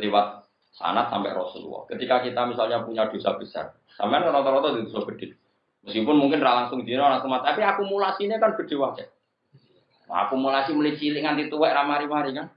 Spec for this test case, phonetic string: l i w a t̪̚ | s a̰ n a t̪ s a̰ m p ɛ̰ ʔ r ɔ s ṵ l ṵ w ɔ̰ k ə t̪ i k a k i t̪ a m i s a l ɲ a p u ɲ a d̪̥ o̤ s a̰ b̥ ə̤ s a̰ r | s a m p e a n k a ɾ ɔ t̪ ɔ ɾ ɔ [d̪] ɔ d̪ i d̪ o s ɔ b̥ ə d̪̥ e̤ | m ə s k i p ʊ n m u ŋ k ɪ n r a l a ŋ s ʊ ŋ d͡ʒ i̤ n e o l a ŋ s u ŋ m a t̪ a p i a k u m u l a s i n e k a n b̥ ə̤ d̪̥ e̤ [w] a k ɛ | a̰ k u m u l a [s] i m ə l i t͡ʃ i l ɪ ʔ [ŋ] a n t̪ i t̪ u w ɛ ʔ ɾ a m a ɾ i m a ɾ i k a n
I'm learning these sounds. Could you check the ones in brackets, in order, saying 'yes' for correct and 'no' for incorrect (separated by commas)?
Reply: no, yes, yes, yes